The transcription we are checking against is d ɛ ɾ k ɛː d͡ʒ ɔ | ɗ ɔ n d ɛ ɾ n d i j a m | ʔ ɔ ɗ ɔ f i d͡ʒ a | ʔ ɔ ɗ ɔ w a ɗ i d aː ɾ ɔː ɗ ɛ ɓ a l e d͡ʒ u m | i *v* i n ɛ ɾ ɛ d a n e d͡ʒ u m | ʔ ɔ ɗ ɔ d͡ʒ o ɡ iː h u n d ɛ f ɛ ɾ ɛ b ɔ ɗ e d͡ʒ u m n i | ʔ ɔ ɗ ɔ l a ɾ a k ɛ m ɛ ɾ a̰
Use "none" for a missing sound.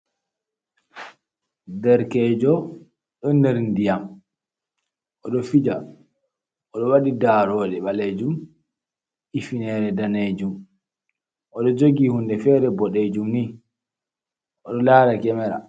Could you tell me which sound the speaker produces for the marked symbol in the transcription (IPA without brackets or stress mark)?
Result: f